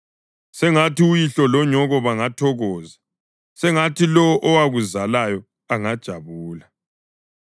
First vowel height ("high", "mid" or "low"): mid